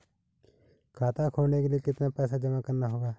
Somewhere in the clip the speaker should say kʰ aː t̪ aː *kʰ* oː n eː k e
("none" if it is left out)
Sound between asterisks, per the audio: kʰ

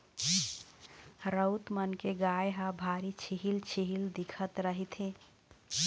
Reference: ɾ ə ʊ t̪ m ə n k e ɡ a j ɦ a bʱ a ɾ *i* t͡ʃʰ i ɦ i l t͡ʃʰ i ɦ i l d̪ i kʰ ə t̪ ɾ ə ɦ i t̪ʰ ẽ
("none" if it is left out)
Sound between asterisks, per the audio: i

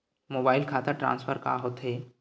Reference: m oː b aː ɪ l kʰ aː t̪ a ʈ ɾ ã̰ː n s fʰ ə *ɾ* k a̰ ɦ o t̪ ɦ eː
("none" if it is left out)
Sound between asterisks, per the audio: ɾ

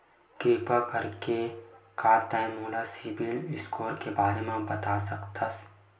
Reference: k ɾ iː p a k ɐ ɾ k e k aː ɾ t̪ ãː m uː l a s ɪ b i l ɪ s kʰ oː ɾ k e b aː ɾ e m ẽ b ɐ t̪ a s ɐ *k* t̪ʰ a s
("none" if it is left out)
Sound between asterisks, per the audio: k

